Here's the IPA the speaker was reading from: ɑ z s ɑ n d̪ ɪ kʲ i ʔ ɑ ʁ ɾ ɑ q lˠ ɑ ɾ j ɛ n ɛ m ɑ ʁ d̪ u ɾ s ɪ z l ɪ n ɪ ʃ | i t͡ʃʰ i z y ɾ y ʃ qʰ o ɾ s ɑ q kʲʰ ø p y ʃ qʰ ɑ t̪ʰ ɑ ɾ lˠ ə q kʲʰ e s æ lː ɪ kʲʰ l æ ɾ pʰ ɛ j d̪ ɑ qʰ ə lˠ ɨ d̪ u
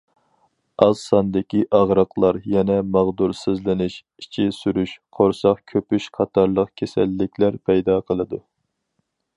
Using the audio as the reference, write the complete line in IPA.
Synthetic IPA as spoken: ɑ z s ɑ n d̪ ɪ kʲ i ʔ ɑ ʁ ɾ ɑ q lˠ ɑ ɾ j ɛ n ɛ m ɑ ʁ d̪ u ɾ s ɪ z l ɪ n ɪ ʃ | i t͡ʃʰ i s y ɾ y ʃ qʰ o ɾ s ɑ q kʲʰ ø p y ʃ qʰ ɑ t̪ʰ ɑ ɾ lˠ ə q kʲʰ e s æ lː ɪ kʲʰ l æ ɾ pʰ ɛ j d̪ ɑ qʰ ə lˠ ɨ d̪ u